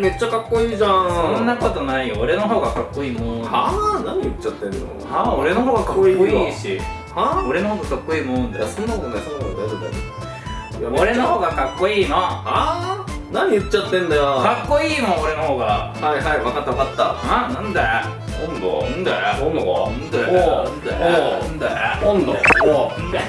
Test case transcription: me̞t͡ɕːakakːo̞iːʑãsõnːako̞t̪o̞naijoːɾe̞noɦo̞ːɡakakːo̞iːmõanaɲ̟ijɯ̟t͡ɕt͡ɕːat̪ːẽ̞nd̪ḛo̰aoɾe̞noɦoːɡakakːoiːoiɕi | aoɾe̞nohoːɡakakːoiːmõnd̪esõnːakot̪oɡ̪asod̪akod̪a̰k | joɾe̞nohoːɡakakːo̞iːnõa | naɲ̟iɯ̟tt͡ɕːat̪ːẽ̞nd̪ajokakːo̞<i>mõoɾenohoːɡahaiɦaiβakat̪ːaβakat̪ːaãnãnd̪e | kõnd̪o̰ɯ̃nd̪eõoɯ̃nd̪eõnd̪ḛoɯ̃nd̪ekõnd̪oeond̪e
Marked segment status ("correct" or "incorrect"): incorrect